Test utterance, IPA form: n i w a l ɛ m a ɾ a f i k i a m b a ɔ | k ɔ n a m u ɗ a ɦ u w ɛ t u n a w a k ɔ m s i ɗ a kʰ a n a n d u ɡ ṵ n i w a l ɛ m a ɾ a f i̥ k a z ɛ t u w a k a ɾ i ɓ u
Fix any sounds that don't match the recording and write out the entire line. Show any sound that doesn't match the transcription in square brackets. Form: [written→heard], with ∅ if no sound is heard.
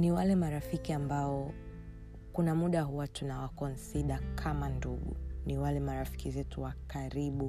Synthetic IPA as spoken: n i w a l ɛ m a ɾ a f i k i a m b a ɔ | k [ɔ→u] n a m u ɗ a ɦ u w [ɛ→a] t u n a w a k ɔ [m→n] s i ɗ a kʰ a [n→m] a n d u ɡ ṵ n i w a l ɛ m a ɾ a f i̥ k [a→i] z ɛ t u w a k a ɾ i ɓ u